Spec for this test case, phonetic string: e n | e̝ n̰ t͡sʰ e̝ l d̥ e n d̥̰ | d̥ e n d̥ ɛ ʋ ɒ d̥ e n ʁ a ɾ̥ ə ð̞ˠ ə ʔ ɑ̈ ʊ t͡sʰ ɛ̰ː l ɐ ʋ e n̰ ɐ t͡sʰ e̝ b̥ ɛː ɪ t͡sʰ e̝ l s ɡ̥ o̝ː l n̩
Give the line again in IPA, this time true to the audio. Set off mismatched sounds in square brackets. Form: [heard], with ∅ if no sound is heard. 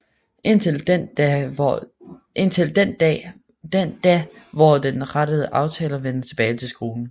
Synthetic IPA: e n | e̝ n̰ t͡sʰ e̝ l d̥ e n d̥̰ | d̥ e n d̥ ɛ ʋ ɒ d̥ e n ʁ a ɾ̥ ə ð̞ˠ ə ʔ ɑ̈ ʊ t͡sʰ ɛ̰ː l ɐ ʋ e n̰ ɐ t͡sʰ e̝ b̥ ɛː ɪ t͡sʰ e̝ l s ɡ̥ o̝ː l n̩